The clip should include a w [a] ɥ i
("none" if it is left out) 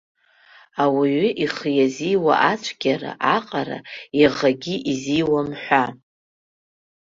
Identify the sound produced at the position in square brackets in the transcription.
i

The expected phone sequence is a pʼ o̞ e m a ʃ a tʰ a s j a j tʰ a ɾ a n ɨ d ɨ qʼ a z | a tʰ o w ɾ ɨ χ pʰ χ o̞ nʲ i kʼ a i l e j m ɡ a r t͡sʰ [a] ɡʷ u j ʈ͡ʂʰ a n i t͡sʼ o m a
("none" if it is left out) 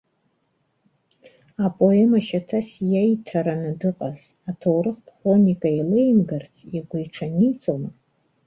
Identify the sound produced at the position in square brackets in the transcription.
i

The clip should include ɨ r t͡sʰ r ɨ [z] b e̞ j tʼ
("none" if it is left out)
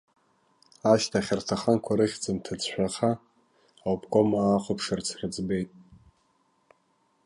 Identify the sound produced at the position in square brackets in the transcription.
d͡z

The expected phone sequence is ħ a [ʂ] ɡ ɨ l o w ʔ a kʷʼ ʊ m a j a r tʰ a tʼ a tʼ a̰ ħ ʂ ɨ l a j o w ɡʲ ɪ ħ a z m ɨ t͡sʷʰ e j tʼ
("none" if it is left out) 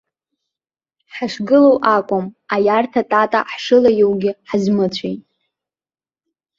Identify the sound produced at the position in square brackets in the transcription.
ʂ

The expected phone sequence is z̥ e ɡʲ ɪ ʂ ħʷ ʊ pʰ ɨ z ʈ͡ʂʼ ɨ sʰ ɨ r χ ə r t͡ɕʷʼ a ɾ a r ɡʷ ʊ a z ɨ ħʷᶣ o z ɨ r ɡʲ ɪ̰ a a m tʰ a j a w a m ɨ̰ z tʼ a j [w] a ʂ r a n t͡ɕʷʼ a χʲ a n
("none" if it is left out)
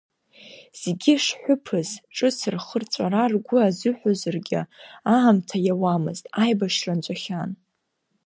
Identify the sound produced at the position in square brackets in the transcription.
b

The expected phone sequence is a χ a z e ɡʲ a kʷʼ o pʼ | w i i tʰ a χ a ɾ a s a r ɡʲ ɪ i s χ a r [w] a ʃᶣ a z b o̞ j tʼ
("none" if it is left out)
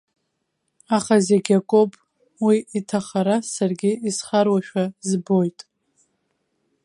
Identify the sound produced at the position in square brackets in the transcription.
w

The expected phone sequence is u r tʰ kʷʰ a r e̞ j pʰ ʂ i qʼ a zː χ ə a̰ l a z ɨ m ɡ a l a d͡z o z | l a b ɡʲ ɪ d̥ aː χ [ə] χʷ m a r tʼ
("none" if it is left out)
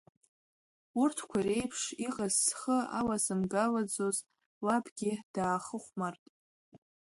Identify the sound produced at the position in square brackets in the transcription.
ə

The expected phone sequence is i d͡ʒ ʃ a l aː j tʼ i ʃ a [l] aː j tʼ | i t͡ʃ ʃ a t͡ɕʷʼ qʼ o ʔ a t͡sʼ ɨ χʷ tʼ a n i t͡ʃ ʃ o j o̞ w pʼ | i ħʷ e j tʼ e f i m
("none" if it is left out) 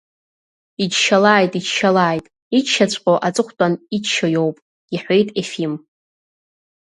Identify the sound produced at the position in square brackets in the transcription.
l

